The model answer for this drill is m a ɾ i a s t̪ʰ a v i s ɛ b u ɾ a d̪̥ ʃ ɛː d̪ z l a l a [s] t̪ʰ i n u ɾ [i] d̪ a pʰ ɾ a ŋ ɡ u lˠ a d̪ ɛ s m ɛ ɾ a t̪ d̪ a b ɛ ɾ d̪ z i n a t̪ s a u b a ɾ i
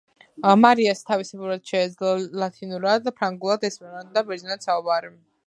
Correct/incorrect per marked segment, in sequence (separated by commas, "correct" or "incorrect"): incorrect, incorrect